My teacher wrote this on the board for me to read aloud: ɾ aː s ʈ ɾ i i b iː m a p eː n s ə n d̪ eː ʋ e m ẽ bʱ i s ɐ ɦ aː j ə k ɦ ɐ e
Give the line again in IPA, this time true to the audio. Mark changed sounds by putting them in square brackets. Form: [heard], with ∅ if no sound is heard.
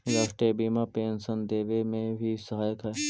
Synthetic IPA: ɾ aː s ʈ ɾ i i b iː m a p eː n s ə n d̪ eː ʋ e m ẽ bʱ i s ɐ ɦ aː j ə k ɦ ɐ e